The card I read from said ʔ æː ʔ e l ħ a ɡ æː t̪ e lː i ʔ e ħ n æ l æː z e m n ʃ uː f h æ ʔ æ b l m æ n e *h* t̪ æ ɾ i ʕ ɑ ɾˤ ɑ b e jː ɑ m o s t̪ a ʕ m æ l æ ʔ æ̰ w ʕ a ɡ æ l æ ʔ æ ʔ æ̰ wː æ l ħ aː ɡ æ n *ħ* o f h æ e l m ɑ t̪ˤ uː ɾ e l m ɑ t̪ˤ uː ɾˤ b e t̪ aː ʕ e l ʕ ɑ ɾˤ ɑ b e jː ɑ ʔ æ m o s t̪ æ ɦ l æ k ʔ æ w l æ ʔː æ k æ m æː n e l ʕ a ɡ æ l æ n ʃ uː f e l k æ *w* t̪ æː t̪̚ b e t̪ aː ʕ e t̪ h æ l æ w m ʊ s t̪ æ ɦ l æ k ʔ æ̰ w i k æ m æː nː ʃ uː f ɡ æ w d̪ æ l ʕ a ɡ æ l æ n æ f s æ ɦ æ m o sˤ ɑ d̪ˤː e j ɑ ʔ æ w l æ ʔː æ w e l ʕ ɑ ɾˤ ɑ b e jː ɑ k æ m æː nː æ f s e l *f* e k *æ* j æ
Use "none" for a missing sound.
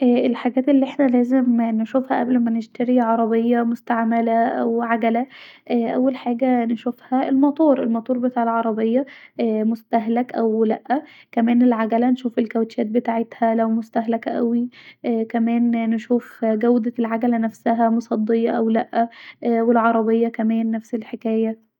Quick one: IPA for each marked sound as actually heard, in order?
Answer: ʃ, ʃ, w, ħ, æː

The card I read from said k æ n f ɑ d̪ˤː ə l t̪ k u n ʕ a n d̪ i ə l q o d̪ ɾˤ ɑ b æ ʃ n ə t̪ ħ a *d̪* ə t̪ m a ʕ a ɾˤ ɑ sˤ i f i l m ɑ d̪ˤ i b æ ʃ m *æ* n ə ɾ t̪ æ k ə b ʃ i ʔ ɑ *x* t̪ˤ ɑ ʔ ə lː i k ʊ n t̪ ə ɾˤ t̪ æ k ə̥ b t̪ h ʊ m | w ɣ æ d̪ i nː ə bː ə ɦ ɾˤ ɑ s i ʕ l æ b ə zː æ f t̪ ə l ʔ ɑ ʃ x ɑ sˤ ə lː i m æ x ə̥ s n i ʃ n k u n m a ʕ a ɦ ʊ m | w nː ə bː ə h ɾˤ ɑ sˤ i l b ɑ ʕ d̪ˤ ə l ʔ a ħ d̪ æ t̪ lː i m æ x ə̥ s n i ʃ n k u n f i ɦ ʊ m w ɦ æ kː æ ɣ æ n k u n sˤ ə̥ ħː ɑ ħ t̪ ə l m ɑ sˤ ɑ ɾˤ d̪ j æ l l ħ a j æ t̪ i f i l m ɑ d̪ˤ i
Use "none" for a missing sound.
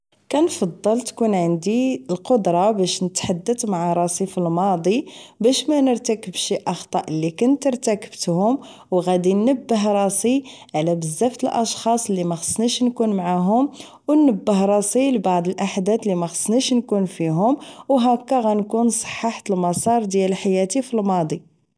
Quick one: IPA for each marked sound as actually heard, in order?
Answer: d̪ː, æ, x

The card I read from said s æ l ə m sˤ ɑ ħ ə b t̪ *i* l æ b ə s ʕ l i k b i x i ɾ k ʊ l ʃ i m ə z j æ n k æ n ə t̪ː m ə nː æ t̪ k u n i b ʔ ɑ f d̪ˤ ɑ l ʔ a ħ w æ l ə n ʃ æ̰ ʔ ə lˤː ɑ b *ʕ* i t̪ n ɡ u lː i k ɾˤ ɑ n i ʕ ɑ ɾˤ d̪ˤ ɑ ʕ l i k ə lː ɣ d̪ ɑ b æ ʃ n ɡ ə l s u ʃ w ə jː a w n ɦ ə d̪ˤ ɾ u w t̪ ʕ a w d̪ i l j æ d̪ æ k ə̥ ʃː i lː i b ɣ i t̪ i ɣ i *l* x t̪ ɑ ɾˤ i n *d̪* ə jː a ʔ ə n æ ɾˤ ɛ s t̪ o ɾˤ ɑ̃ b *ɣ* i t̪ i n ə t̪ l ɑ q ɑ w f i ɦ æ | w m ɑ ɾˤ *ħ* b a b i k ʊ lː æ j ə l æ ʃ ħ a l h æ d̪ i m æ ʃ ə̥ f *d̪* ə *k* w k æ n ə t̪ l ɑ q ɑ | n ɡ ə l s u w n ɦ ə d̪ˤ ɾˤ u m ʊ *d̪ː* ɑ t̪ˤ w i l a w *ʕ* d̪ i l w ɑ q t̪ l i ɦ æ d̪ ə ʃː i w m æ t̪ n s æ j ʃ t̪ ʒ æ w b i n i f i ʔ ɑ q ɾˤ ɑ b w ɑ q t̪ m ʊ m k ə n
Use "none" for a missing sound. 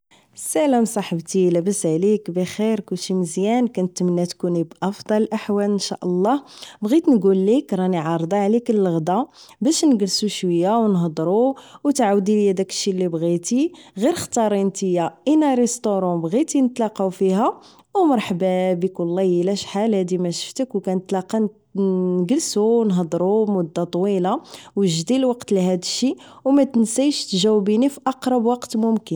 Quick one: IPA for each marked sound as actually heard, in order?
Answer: i, ɣ, ɾ, t̪, ɣ, ħ, t̪, k, d̪ː, ʒ

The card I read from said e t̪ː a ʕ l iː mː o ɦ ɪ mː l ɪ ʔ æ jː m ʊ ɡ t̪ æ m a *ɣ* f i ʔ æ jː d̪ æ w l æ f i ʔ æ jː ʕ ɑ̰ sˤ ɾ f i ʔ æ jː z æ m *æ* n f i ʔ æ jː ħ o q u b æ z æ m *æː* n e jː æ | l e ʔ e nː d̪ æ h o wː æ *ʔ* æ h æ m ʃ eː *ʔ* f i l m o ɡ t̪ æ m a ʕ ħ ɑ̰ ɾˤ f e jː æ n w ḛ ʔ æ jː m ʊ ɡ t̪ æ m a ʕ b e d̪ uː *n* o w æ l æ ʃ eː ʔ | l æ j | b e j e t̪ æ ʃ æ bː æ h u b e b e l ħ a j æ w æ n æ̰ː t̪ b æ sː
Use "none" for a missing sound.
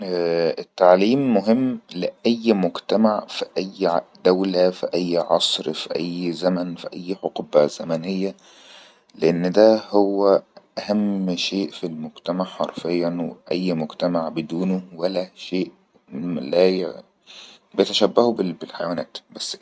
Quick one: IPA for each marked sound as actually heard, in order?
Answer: ʕ, æ, æ, ʔ, ʔ, n

